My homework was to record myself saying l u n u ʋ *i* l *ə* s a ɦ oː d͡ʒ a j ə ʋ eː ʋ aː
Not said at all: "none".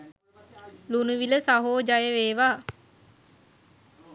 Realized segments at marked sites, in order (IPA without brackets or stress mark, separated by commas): i, ə